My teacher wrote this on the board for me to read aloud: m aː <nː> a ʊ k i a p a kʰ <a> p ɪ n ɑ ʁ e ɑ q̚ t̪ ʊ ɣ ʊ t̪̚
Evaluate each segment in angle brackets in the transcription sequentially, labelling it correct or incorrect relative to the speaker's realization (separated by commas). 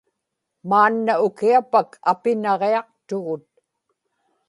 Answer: correct, correct